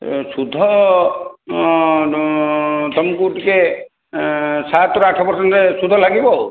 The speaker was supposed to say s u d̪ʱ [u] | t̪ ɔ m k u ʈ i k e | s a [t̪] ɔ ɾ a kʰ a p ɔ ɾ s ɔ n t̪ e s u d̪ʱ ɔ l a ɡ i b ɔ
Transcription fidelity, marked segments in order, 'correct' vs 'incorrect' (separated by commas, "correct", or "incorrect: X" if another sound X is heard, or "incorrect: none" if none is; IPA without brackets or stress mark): incorrect: ɔ, correct